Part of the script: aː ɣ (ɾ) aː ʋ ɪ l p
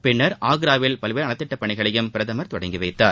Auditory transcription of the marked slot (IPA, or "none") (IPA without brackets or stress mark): ɾ